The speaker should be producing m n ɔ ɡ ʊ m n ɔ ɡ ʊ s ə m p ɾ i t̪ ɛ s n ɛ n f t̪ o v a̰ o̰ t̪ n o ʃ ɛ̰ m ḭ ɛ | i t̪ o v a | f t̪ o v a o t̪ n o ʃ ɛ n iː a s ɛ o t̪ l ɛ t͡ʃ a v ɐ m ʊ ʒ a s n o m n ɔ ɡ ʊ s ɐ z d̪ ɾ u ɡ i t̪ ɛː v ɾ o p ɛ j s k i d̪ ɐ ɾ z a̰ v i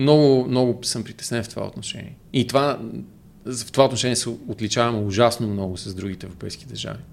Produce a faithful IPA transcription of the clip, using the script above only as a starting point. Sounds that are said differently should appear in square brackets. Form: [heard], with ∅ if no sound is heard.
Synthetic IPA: m n ɔ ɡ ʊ m n ɔ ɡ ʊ s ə m p ɾ i t̪ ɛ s n ɛ n f t̪ o v a̰ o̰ t̪ n o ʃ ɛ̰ [n] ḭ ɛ | i t̪ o v a | f t̪ o v a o t̪ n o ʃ ɛ n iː [ɛ] s ɛ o t̪ l [i] t͡ʃ a v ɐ m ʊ ʒ a s n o m n ɔ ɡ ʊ s ɐ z d̪ ɾ u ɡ i t̪ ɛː v ɾ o p ɛ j s k i d̪ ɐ ɾ [ʒ] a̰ v i